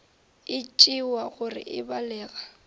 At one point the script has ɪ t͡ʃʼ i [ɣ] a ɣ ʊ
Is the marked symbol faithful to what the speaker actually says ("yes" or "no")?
no